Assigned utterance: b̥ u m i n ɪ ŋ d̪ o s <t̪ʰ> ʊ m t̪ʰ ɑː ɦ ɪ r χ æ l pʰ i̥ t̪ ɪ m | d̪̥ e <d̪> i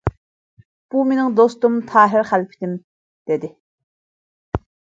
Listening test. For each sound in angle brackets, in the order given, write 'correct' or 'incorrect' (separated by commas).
incorrect, correct